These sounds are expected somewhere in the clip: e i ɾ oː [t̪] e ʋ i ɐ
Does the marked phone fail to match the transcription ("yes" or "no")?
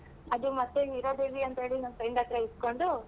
yes